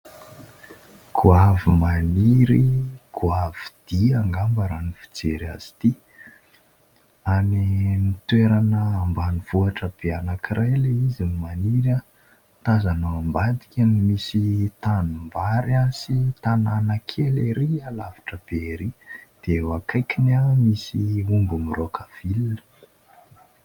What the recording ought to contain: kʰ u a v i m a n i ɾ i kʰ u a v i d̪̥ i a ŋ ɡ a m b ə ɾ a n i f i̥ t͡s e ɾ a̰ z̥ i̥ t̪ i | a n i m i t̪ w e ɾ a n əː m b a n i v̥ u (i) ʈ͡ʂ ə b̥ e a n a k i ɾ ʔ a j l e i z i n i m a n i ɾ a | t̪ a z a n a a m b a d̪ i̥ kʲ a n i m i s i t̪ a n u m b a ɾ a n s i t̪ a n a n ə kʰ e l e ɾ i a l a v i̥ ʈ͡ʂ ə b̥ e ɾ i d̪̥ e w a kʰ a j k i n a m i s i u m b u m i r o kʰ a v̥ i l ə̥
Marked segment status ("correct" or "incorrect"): incorrect